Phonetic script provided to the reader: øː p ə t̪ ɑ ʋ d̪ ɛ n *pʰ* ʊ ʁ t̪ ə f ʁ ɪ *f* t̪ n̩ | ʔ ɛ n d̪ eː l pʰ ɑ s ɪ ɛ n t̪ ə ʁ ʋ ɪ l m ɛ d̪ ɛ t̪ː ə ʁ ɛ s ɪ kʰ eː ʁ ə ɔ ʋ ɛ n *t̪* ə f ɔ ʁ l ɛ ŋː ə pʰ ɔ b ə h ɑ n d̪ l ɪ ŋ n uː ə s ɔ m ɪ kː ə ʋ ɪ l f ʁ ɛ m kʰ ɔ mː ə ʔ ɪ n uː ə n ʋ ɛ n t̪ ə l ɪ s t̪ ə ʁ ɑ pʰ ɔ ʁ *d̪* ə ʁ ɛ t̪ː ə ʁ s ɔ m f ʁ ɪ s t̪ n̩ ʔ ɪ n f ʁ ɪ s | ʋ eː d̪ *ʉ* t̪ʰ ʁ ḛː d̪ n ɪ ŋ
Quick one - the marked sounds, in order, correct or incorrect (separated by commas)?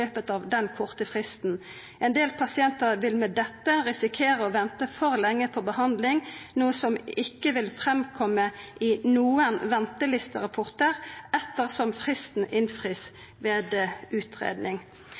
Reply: incorrect, incorrect, correct, incorrect, incorrect